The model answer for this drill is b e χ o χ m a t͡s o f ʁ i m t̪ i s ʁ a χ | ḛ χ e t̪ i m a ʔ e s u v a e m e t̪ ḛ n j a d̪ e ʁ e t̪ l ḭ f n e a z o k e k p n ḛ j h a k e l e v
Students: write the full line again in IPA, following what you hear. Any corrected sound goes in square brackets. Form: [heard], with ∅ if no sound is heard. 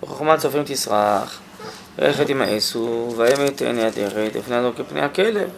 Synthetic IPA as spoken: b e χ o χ m a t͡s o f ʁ i m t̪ i s ʁ a χ | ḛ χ e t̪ i m a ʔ e s u v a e m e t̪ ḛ n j a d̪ e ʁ e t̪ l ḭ f n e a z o k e [∅] p n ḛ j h a k e l e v